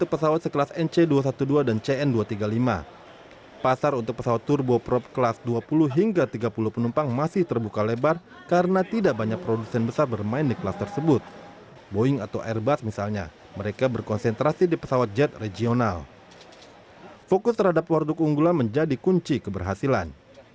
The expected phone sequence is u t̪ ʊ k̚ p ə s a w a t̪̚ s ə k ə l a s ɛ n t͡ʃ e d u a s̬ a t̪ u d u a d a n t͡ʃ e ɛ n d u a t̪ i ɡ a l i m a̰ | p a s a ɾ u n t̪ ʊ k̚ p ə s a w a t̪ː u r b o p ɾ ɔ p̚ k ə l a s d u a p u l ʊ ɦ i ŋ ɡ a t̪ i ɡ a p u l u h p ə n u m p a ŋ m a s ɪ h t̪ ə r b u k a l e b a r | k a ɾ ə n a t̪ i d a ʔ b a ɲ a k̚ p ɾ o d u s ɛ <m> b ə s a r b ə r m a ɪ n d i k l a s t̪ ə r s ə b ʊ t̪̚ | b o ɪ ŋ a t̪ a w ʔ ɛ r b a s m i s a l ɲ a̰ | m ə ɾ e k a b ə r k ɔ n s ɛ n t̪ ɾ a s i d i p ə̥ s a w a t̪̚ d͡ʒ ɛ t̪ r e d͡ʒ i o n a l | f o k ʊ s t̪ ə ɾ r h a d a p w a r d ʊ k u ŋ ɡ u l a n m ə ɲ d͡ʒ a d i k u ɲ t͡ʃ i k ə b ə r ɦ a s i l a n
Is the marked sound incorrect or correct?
incorrect